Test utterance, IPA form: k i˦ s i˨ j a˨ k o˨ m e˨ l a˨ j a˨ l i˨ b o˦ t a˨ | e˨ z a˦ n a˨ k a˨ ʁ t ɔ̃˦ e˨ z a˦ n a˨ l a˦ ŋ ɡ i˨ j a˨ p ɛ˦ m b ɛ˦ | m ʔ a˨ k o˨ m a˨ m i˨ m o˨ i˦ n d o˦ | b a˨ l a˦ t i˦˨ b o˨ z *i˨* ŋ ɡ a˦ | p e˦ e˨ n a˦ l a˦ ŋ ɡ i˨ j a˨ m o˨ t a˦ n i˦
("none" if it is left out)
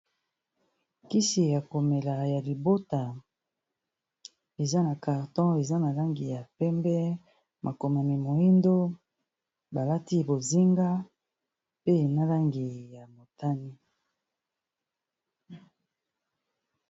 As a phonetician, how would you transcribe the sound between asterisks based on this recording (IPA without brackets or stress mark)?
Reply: i˦